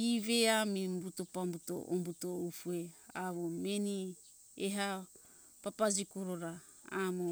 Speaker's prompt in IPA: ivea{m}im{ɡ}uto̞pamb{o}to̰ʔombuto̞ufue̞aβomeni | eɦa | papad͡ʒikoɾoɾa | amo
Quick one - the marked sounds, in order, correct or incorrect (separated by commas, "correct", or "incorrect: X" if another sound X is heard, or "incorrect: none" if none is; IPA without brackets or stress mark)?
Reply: correct, incorrect: b, incorrect: u